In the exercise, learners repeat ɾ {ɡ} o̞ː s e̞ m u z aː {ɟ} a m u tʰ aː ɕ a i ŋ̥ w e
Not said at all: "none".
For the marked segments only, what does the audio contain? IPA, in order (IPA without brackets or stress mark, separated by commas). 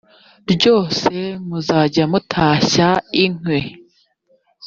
ɟ, ɟ